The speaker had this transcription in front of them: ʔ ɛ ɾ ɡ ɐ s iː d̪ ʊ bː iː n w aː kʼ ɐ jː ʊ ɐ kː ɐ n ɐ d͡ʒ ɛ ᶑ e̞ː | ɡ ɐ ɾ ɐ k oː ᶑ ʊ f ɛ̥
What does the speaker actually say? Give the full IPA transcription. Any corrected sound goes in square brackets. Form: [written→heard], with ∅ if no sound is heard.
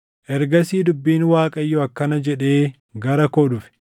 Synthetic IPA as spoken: ʔ ɛ ɾ ɡ ɐ s iː d̪ ʊ bː iː n w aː kʼ ɐ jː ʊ ɐ kː ɐ n ɐ d͡ʒ ɛ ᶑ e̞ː | ɡ ɐ ɾ ɐ k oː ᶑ ʊ f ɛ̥